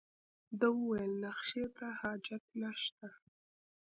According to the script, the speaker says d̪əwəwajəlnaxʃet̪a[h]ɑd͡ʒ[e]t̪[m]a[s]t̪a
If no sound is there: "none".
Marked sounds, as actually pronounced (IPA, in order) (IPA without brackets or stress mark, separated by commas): h, a, n, ʃ